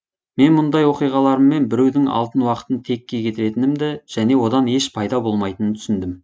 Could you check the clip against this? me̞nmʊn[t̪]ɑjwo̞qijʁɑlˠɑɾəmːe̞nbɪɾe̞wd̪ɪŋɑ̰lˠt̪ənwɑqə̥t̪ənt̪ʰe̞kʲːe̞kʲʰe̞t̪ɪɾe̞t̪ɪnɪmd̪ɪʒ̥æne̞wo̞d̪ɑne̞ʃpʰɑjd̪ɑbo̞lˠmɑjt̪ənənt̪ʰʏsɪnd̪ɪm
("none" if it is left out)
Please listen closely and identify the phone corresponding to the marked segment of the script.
d̪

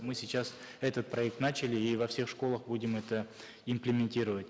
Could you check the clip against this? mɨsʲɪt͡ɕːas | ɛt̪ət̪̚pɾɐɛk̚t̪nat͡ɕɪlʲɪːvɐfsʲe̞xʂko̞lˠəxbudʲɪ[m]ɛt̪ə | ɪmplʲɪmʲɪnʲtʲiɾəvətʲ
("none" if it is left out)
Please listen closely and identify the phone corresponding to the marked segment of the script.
m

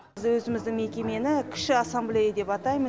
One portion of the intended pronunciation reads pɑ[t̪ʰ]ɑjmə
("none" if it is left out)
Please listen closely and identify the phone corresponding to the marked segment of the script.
t̪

